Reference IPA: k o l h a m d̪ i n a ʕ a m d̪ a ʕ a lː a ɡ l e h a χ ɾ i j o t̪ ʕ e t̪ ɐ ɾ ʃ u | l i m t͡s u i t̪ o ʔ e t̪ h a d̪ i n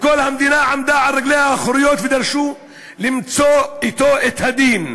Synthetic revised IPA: k o l h a m d̪ i n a ʕ a m d̪ a ʕ a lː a ɡ l e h a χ ɾ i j o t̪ v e d̪ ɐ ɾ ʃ u | l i m t͡s o i t̪ o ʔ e t̪ h a d̪ i n